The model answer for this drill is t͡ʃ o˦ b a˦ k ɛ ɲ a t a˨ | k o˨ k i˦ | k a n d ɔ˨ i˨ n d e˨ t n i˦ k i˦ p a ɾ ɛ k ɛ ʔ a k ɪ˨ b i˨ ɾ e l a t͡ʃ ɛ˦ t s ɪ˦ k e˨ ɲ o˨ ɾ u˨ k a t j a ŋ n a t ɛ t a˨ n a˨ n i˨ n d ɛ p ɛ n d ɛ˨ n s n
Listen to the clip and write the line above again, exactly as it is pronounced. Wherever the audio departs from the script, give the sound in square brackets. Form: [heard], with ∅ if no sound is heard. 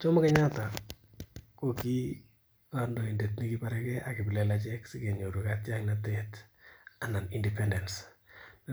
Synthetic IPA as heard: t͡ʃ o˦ [m] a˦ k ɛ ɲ a t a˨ | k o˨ k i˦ | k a n d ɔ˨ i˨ n d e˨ t n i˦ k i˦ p a ɾ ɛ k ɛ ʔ a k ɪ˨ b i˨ [l] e l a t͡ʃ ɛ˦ [k] s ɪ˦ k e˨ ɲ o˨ ɾ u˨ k a t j a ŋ n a t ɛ t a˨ n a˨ n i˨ n d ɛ p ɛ n d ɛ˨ n s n